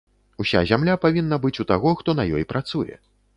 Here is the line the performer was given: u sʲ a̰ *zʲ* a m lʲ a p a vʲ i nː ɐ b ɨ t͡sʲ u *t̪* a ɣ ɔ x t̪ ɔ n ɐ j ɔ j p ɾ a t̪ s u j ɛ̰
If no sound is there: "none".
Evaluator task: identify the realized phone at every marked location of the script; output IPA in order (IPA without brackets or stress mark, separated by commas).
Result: zʲ, t̪